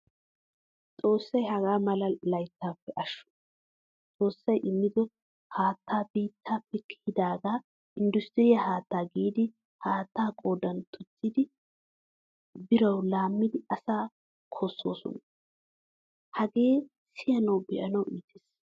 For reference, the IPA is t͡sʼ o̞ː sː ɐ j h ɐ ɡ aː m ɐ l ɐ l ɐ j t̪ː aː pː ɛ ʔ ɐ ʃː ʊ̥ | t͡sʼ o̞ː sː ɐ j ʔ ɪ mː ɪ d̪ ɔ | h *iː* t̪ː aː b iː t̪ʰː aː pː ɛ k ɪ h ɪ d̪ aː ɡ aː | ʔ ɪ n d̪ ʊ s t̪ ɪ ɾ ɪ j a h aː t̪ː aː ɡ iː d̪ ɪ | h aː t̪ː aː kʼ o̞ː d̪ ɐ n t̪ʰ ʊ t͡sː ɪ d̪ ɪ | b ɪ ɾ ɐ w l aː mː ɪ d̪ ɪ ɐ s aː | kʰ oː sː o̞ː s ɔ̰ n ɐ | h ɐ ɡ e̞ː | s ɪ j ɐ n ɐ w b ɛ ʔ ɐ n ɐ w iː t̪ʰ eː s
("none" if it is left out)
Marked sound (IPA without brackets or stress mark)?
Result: aː